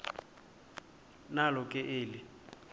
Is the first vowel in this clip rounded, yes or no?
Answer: no